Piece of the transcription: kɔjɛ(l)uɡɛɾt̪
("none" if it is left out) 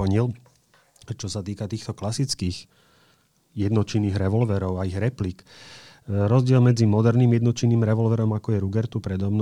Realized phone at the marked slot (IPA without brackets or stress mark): ɾ